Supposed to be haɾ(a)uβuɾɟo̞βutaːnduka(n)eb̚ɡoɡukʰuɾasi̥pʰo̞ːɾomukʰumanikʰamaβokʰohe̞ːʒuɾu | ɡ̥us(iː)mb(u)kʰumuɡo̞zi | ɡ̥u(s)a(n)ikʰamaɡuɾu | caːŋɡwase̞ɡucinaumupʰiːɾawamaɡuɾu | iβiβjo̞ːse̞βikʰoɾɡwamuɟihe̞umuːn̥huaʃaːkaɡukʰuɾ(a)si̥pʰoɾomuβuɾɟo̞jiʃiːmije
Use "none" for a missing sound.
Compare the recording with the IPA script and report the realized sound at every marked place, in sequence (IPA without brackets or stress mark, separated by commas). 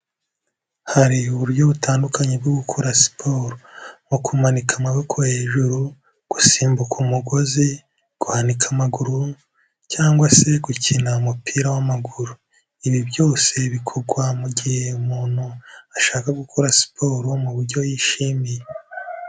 i, ɲ, iː, u, h, n, a